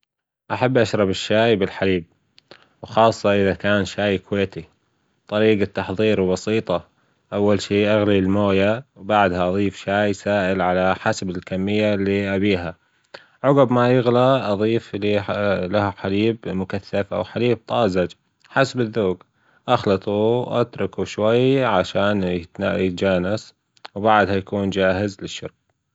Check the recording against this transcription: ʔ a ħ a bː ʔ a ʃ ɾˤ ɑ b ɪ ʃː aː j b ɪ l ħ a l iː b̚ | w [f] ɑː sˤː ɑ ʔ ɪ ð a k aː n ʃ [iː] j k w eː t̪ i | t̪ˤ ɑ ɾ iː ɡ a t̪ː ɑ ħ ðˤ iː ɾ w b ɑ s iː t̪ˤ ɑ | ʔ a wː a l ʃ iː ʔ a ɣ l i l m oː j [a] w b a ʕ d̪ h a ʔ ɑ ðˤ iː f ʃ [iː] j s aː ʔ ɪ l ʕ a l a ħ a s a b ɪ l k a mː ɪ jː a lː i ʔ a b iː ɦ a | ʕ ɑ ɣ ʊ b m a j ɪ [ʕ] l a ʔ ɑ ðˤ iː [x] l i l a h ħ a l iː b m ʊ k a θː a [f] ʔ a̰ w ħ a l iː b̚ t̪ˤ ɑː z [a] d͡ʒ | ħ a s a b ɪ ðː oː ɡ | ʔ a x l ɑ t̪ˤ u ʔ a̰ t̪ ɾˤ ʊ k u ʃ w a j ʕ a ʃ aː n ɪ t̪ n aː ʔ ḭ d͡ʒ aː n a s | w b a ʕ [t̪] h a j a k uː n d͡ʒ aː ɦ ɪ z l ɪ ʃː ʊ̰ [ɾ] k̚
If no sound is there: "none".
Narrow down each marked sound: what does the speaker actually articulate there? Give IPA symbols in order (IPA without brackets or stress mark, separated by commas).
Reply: x, aː, a, aː, ɣ, f, f, a, d̪, ɾ